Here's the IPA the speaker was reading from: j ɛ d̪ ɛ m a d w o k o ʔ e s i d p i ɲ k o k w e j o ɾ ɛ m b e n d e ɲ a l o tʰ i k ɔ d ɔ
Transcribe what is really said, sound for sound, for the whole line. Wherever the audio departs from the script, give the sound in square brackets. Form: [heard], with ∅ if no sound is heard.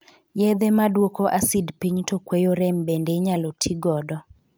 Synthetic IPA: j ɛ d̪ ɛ m a d w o k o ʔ [a] s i d p i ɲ [t] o k w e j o ɾ ɛ m b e n d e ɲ a l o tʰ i [ɡ] ɔ d ɔ